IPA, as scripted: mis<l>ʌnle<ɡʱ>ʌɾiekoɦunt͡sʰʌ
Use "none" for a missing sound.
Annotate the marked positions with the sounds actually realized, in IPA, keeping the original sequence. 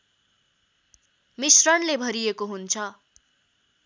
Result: r, bʱ

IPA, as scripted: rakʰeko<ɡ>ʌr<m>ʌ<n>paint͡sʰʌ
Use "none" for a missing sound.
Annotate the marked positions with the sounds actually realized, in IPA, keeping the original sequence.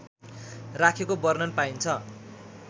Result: b, n, n

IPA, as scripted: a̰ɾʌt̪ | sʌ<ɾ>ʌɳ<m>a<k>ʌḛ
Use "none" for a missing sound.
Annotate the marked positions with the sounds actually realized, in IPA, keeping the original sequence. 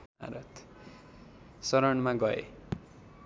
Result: ɾ, m, ɡ

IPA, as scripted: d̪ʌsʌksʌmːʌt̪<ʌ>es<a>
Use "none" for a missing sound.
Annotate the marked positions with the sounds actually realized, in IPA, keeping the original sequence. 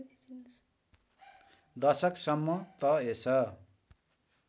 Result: ʌ, ʌ

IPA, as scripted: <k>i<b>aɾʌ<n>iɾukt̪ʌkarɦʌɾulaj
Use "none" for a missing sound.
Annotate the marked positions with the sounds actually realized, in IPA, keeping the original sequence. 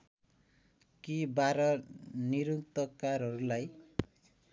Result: k, b, n

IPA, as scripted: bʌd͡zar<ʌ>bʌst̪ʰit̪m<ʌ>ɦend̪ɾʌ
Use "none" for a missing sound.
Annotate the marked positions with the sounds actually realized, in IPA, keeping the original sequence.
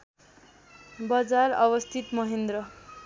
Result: ʌ, ʌ

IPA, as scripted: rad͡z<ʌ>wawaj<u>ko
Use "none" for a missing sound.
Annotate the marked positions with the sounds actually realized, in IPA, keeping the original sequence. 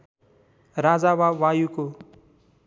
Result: a, u

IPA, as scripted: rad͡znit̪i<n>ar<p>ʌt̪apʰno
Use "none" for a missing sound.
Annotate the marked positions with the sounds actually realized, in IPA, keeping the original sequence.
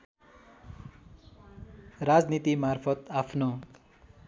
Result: m, pʰ

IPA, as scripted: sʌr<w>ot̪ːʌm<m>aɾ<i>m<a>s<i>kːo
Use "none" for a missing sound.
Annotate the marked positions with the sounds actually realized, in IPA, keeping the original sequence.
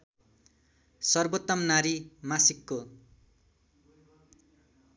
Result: b, n, i, a, i

